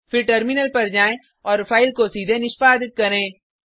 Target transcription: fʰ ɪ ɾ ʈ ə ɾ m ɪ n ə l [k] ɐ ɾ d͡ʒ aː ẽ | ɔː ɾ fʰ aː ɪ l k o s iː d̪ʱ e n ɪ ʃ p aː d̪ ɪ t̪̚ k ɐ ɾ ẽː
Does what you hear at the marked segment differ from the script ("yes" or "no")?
yes